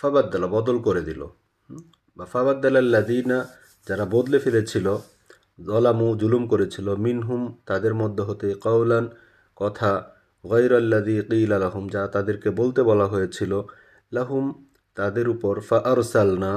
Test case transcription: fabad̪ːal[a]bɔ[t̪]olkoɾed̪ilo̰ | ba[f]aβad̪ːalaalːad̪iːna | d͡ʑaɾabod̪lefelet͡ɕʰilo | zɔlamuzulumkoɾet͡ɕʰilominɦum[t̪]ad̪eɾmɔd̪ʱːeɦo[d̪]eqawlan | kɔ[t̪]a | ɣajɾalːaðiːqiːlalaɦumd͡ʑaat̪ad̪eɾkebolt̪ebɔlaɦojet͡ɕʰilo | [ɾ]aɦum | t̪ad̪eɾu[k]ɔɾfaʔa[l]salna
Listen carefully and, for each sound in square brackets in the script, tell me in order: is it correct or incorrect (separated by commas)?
correct, incorrect, correct, correct, incorrect, incorrect, incorrect, incorrect, incorrect